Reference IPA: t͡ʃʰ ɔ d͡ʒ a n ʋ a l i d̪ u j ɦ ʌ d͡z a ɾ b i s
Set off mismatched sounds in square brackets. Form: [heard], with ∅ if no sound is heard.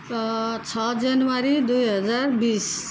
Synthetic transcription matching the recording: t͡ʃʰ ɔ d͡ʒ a n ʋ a [ɾ] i d̪ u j ɦ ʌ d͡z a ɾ b i s